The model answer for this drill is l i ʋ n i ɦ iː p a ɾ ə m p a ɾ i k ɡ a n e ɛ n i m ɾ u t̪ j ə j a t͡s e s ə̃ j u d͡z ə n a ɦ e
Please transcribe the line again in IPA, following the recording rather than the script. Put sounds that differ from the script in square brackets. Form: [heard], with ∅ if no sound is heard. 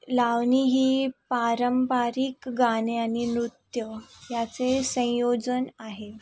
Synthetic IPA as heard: l [a] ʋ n i ɦ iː p a ɾ ə m p a ɾ i k ɡ a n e [a] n i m ɾ u t̪ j ə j a t͡s e s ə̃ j [o] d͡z ə n a ɦ e

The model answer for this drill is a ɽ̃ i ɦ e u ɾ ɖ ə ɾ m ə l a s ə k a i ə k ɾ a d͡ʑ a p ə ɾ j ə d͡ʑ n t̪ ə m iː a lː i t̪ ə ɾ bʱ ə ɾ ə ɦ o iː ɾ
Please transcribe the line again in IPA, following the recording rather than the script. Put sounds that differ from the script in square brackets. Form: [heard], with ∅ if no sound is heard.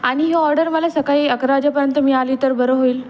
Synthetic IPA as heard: a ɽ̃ i ɦ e [ɔ] ɾ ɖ ə ɾ m ə l a s ə k a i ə k ɾ a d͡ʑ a p ə ɾ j ə [∅] n t̪ ə m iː a [l] i t̪ ə ɾ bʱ ə ɾ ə ɦ o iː [l]

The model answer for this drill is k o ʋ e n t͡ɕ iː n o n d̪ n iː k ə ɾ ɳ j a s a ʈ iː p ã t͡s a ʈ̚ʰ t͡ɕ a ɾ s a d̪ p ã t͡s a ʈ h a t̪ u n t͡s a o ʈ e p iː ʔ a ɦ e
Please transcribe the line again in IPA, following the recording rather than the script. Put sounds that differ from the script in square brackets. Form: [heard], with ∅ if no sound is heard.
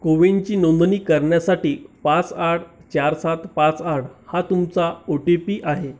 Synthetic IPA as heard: k o ʋ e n t͡ɕ iː n o n d̪ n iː k ə ɾ ɳ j a s a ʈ iː p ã t͡s a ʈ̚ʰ t͡ɕ a ɾ s a [t̪] p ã t͡s a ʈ h a t̪ u [m] t͡s a o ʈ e p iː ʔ a ɦ e

